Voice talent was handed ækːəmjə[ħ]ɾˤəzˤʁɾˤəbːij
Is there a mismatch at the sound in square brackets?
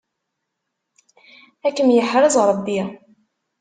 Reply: no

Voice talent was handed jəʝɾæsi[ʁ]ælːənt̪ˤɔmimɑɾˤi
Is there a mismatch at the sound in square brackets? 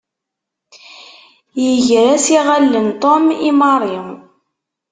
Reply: no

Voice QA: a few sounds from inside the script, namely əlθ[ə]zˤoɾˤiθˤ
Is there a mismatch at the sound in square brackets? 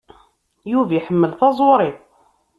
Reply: yes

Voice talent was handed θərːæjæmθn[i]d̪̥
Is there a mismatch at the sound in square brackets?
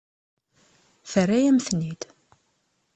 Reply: no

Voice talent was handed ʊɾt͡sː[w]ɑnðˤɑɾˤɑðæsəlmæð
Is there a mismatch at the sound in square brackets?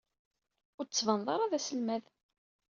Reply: yes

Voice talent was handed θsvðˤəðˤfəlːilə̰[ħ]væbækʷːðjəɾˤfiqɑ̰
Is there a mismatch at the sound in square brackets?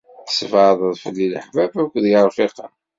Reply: no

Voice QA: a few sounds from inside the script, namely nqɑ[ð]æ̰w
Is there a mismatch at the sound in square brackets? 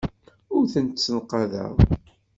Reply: no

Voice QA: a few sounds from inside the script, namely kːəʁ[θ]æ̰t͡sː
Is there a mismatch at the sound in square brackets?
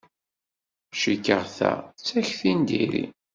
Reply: no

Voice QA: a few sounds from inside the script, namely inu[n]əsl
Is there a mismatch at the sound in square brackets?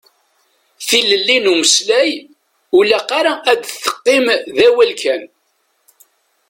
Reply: yes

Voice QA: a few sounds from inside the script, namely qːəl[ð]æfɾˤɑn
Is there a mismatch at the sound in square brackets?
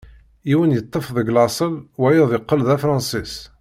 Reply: no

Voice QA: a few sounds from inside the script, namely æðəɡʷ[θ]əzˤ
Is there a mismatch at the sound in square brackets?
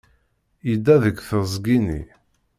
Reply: no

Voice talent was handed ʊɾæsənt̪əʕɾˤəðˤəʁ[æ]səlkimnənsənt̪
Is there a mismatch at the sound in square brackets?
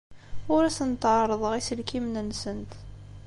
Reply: yes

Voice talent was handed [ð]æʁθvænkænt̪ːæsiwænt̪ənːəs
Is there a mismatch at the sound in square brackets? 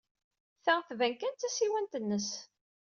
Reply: yes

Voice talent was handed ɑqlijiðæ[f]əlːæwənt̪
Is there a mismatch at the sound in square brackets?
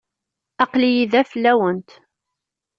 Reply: no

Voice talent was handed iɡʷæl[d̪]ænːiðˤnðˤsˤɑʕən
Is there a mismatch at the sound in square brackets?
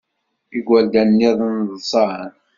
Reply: no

